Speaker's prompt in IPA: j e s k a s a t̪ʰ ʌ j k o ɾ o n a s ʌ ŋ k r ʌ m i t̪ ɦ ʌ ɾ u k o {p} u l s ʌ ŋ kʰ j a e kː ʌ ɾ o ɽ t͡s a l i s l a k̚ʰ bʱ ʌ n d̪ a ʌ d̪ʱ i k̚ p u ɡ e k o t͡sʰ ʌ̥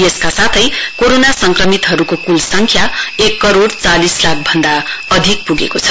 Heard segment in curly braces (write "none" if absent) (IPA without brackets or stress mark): k